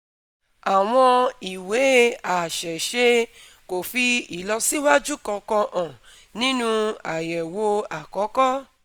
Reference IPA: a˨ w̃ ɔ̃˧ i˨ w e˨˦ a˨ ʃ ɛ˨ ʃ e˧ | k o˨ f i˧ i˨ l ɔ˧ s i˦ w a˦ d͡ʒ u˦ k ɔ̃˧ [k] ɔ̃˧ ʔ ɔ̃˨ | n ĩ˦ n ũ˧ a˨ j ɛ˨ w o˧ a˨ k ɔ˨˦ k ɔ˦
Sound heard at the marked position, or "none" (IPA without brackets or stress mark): k